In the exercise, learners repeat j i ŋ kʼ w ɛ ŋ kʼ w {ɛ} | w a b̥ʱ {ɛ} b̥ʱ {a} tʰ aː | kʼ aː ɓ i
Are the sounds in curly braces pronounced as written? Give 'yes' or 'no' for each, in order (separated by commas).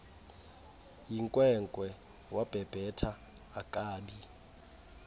yes, yes, no